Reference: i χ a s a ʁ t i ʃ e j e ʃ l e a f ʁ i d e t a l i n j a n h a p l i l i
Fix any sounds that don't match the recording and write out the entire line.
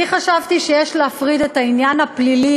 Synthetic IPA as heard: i χ a ʃ a v t i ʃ e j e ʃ l e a f ʁ i d e t a i n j a n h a p l i l i